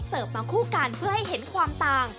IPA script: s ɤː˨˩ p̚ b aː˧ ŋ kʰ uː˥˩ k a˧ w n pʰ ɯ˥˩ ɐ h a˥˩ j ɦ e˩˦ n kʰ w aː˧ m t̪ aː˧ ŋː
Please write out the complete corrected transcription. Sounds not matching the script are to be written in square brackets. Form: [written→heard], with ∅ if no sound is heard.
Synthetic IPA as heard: s ɤː˨˩ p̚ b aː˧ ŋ kʰ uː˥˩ k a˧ [w→∅] n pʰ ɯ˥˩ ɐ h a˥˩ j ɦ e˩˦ n kʰ w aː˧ m t̪ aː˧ [ŋː→ŋ]